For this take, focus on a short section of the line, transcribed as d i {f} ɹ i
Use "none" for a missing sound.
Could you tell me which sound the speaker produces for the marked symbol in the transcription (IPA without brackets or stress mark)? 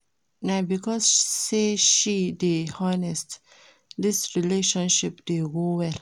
s